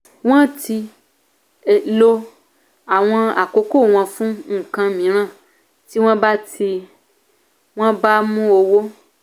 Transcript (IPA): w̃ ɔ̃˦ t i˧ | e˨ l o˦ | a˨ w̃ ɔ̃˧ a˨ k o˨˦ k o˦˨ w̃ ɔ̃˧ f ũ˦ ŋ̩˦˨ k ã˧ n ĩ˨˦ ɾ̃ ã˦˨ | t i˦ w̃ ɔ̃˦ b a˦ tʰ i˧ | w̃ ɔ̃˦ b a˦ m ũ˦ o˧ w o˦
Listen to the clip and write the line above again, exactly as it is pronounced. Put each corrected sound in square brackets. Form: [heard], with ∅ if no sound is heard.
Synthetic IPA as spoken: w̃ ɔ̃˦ t i˧ | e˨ l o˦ | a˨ w̃ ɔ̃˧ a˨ k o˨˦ k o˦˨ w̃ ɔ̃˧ f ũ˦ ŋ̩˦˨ k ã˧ [m] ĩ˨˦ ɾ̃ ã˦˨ | t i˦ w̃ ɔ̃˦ b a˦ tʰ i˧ | w̃ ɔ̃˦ b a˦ m ũ˦ o˧ w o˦

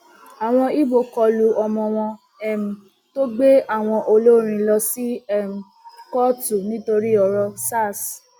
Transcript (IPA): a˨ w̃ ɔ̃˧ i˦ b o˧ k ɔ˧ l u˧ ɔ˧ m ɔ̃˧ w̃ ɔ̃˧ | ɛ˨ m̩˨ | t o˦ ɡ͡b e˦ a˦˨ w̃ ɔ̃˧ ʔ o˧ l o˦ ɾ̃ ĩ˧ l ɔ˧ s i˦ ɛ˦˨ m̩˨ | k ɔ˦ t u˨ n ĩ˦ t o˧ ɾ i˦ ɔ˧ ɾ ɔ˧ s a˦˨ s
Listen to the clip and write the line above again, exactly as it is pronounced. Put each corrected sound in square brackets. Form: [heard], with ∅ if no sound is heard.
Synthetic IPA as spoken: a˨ w̃ ɔ̃˧ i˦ b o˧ k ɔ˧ l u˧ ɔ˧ m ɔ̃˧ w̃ ɔ̃˧ | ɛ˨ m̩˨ | t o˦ ɡ͡b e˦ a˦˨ w̃ ɔ̃˧ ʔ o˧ l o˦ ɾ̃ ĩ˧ l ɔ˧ s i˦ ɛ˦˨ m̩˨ | k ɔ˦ t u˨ n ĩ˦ t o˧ ɾ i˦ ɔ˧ ɾ ɔ˧ s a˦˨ s

